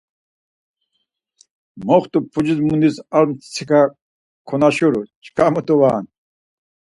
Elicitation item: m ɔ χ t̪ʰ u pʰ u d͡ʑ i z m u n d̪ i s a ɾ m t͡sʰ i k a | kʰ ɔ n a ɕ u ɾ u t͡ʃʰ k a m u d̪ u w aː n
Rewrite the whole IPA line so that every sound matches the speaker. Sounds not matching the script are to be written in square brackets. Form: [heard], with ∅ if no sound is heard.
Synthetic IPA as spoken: m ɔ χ [t̪] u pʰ u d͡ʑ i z m u n d̪ i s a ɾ m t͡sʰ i k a | kʰ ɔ n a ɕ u ɾ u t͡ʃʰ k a m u [t̪] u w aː n